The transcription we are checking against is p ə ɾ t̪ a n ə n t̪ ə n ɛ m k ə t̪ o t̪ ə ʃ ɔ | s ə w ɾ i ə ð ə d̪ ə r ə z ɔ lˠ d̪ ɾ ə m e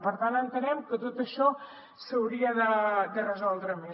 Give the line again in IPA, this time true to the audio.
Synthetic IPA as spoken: p ə ɾ t̪ a n ə n t̪ ə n ɛ m k ə t̪ o t̪ ə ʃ ɔ | s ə w ɾ i ə ð ə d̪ ə r ə z ɔ lˠ d̪ ɾ ə m e